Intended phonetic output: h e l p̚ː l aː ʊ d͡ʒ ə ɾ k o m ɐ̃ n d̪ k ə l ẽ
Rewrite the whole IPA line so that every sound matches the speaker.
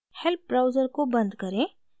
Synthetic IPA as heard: h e l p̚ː ɾ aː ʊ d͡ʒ ə ɾ k o b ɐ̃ n d̪ k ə ɾ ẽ

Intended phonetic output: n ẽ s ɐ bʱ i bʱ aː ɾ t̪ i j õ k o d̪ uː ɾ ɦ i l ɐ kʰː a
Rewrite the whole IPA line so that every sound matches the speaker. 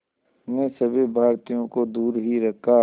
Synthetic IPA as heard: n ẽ s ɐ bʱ i bʱ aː ɾ t̪ i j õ k o d̪ uː ɾ ɦ i ɾ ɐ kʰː a

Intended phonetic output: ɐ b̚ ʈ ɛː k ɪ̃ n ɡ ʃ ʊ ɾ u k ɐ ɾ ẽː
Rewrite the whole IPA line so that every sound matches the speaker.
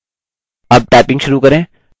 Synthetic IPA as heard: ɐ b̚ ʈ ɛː p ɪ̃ ŋ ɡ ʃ ʊ ɾ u k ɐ ɾ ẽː

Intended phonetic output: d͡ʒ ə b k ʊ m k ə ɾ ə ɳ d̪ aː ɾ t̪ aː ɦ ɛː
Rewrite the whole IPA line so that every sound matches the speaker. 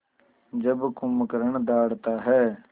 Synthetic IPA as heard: d͡ʒ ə b k ʊ m k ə ɾ ə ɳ d̪ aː ɽ t̪ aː ɦ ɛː

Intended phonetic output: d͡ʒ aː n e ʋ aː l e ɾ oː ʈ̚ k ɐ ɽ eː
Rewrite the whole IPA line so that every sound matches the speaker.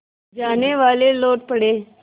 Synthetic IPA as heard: d͡ʒ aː n e ʋ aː l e l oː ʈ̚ p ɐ ɽ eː

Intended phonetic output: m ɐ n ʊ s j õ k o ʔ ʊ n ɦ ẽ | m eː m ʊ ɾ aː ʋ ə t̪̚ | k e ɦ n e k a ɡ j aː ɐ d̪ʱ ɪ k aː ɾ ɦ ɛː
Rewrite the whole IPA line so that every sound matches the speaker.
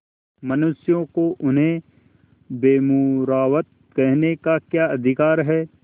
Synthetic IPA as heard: m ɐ n ʊ s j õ k o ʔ ʊ n ɦ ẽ | b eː m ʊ ɾ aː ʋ ə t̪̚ | k ɛ ɦ n e k a k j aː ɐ d̪ʱ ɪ k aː ɾ ɦ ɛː

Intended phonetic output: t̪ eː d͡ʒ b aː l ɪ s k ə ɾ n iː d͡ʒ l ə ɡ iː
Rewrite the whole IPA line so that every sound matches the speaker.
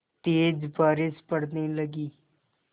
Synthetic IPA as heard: t̪ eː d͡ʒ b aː ɾ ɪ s p ə ɽ n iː l ə ɡ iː

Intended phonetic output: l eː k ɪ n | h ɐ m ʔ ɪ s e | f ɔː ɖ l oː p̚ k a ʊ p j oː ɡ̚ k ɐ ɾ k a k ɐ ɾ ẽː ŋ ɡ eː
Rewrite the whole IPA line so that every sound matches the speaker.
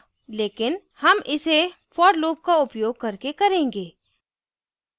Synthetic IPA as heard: l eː k ɪ n | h ɐ m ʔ ɪ s e | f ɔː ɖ l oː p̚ k a ʊ p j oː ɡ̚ k ɐ ɾ k e k ɐ ɾ ẽː ŋ ɡ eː

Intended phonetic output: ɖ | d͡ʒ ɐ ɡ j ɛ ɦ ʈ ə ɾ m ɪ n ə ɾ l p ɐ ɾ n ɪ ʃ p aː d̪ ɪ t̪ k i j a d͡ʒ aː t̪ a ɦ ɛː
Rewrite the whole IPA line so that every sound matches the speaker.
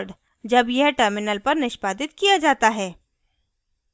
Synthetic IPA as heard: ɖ | d͡ʒ ɐ b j ɛ ɦ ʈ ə ɾ m ɪ n ə l p ɐ ɾ n ɪ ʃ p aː d̪ ɪ t̪ k i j a d͡ʒ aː t̪ a ɦ ɛː

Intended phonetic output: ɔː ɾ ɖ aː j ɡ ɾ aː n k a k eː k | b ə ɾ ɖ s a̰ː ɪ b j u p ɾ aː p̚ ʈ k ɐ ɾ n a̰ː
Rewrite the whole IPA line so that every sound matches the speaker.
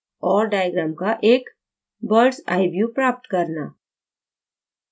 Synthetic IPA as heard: ɔː ɾ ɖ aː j ɡ ɾ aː m k a ʔ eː k | b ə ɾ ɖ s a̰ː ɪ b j u p ɾ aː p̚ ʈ k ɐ ɾ n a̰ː

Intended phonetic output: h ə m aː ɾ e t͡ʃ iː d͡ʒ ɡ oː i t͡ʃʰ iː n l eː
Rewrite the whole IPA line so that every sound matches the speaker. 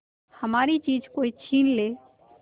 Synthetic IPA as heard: h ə m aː ɾ i t͡ʃ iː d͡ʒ k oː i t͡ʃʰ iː n l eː

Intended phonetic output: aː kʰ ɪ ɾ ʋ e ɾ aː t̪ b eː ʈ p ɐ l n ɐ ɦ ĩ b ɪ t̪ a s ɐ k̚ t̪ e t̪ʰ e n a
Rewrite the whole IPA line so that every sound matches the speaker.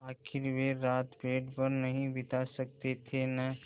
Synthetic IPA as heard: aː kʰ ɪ ɾ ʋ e ɾ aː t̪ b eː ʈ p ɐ ɾ n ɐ ɦ ĩ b ɪ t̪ a s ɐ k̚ t̪ e t̪ʰ e n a

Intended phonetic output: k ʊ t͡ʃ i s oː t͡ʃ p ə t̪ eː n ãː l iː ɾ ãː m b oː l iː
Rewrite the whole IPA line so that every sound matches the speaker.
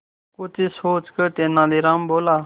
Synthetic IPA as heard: k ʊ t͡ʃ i s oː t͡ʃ k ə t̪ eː n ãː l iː ɾ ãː m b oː l aː

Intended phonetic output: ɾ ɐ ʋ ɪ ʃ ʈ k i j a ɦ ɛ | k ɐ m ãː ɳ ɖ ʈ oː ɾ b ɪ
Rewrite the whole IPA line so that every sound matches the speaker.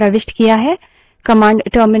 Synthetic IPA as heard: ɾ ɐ ʋ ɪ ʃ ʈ k i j a ɦ ɛ | k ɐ m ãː ɳ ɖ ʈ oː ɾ m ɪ

